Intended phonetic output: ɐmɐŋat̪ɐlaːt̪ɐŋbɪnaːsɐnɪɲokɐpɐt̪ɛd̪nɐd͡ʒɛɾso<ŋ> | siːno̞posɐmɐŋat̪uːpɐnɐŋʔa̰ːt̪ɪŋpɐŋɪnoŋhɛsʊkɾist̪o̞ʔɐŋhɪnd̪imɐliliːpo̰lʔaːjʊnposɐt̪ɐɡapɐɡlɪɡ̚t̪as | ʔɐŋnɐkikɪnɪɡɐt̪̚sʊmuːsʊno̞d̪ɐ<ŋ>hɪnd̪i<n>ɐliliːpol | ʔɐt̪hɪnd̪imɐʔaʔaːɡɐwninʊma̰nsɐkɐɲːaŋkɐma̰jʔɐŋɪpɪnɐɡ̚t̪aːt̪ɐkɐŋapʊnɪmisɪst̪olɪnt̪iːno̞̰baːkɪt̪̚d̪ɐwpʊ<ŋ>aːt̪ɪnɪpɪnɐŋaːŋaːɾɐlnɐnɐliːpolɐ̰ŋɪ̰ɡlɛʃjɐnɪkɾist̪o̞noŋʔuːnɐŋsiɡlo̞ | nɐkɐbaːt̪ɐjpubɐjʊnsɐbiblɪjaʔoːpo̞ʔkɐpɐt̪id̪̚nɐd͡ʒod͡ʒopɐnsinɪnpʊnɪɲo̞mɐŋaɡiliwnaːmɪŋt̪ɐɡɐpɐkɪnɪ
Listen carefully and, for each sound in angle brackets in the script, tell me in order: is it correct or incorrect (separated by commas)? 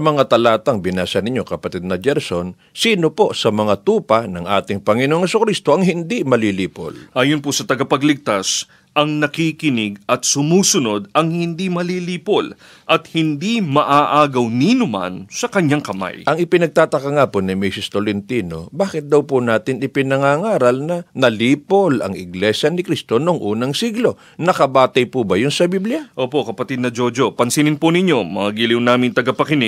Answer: incorrect, correct, incorrect, incorrect